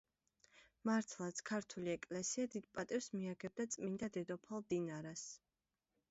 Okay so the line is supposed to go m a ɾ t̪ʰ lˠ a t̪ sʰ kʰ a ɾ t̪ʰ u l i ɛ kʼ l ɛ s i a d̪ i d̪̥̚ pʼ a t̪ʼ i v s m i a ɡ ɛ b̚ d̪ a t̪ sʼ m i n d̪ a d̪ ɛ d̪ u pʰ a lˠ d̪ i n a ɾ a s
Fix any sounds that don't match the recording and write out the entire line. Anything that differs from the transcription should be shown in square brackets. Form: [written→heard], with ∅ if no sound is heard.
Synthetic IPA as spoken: m a ɾ t̪ʰ lˠ a t̪ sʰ kʰ a ɾ t̪ʰ u l i ɛ kʼ l ɛ s i a d̪ i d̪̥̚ pʼ a t̪ʼ i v s m i a ɡ ɛ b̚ d̪ a t̪ sʼ m i n d̪ a d̪ ɛ d̪ [u→ɔ] pʰ a lˠ d̪ i n a ɾ a s